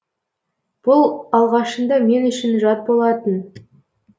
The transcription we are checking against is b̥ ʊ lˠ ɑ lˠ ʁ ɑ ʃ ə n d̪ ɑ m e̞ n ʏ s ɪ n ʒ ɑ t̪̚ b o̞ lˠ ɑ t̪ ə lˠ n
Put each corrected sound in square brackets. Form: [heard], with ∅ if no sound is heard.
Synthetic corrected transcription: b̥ ʊ lˠ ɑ lˠ ʁ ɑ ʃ ə n d̪ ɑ m e̞ n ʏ [ʃ] ɪ n ʒ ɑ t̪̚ b o̞ lˠ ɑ t̪ ə [∅] n